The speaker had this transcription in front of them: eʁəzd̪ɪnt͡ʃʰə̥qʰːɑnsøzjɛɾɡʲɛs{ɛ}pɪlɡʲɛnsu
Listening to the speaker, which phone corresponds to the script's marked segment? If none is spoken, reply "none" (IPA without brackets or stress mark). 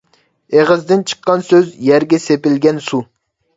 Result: e